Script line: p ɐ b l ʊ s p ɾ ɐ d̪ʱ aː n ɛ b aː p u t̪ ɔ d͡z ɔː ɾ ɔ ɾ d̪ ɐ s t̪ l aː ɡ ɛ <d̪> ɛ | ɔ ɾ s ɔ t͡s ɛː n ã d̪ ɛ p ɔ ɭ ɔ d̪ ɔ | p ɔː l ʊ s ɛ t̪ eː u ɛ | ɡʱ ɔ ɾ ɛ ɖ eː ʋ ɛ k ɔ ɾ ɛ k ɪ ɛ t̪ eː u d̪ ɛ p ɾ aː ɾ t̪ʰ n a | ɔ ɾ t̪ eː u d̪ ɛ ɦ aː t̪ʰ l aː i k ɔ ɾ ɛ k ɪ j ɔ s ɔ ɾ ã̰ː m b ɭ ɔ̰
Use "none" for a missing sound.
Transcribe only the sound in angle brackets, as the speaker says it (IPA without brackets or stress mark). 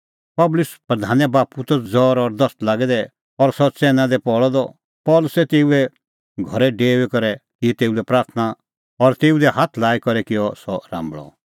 d̪